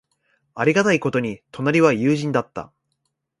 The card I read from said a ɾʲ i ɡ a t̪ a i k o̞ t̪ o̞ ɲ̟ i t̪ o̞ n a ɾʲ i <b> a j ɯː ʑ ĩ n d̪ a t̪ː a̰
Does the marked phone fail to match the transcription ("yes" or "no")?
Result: yes